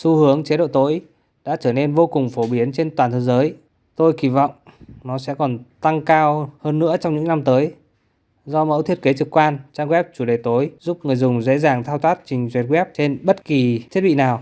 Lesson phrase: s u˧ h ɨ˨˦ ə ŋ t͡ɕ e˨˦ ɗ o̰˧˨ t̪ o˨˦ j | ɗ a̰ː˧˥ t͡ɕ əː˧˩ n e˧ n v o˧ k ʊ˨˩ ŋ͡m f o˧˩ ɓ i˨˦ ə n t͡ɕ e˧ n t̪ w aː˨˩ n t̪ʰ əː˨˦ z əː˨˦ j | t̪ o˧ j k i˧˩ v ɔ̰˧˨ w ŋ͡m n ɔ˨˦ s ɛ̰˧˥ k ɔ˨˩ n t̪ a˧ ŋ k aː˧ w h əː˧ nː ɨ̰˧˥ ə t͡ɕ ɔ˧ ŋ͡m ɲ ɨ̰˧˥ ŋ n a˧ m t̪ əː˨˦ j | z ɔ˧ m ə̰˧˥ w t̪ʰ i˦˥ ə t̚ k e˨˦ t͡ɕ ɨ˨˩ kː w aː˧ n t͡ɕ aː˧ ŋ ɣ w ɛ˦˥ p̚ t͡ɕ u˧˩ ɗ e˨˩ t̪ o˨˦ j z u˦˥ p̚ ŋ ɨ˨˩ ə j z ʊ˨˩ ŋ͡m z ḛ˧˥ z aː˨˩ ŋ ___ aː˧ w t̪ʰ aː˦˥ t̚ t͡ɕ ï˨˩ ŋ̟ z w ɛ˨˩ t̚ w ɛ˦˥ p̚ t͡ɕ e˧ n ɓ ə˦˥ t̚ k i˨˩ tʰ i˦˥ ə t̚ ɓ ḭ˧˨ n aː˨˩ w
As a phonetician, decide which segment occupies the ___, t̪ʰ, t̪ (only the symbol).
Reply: t̪ʰ